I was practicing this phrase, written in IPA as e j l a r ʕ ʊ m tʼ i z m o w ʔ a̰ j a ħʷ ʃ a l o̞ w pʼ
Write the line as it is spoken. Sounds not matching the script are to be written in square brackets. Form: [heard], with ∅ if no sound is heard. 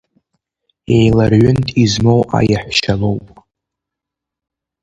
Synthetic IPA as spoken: e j l a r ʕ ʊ [n] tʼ i z m o w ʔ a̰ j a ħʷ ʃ a l o̞ w pʼ